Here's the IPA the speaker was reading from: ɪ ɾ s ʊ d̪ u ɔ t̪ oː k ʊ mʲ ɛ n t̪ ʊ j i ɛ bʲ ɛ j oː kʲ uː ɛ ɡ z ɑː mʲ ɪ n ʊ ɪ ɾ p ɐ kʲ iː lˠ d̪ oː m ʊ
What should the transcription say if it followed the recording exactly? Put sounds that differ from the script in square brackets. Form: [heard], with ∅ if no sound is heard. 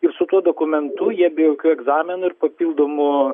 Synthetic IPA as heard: ɪ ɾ s ʊ [t̪] u ɔ [d̪] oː k ʊ mʲ ɛ n t̪ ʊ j i ɛ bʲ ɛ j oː kʲ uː ɛ ɡ z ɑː mʲ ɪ n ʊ ɪ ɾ p ɐ [pʲ] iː lˠ d̪ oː m ʊ

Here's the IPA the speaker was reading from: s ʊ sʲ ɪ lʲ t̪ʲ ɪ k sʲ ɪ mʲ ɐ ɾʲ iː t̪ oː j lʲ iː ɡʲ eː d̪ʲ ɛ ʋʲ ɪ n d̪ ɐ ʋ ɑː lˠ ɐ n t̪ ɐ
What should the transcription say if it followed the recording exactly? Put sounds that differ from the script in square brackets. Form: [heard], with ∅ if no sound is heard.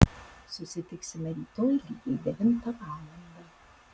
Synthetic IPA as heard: s ʊ sʲ ɪ [∅] t̪ʲ ɪ k sʲ ɪ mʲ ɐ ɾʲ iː t̪ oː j lʲ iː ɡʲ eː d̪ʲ ɛ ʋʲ ɪ n [t̪] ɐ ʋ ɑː lˠ ɐ n [d̪] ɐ

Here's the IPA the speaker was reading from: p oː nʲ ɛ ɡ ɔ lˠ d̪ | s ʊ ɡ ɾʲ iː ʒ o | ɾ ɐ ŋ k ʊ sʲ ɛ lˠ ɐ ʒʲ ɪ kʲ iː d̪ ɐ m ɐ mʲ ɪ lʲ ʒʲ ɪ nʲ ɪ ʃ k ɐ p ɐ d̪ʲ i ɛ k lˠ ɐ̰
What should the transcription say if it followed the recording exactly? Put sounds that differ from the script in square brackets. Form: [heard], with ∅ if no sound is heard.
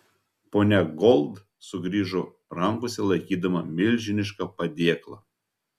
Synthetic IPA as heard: p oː nʲ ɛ ɡ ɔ lˠ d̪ | s ʊ ɡ ɾʲ iː ʒ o | ɾ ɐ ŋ k ʊ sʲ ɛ lˠ ɐ [∅] ɪ kʲ iː d̪ ɐ m ɐ mʲ ɪ lʲ ʒʲ ɪ nʲ ɪ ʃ k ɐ p ɐ d̪ʲ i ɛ k lˠ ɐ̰

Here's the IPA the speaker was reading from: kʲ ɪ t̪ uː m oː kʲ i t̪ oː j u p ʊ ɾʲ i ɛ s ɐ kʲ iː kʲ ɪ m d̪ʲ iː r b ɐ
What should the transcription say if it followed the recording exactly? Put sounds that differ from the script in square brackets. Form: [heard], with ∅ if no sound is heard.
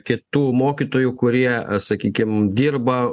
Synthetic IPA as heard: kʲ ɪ t̪ uː m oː kʲ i t̪ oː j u [k] ʊ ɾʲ i ɛ s ɐ kʲ iː kʲ ɪ m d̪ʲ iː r b ɐ

